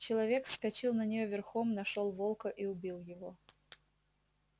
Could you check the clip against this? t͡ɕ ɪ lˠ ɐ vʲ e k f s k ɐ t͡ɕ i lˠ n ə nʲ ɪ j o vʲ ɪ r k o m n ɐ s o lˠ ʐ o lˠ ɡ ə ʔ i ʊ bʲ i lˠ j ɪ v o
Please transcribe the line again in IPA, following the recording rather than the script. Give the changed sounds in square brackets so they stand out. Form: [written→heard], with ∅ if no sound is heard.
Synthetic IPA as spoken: t͡ɕ ɪ lˠ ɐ vʲ e k f s k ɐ t͡ɕ i lˠ n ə nʲ ɪ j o vʲ ɪ r [k→x] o m n ɐ [s→ʂ] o lˠ [ʐ→v] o lˠ [ɡ→k] ə ʔ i ʊ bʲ i lˠ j ɪ v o